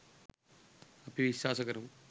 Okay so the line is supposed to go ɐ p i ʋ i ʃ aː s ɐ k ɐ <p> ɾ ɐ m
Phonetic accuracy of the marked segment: incorrect: none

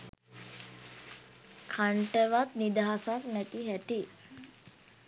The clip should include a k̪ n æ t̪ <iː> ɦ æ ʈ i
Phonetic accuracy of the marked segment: incorrect: i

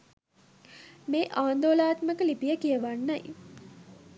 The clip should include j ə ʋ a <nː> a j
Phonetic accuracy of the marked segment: correct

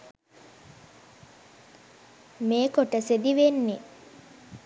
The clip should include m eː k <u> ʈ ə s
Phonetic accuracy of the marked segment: incorrect: o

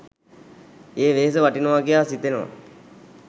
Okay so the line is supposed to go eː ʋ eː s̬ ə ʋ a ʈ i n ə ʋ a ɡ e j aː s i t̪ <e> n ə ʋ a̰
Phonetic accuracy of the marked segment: correct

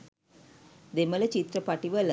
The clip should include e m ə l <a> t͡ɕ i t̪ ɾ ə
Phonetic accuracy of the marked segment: incorrect: ə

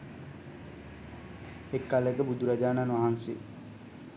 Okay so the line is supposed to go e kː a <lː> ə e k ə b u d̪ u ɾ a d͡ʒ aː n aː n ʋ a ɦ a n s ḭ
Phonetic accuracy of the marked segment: incorrect: l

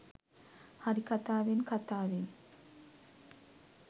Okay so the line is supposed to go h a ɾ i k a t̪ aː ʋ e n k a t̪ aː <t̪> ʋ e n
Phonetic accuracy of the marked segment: incorrect: none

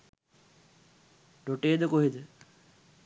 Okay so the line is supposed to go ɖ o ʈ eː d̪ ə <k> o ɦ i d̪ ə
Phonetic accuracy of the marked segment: correct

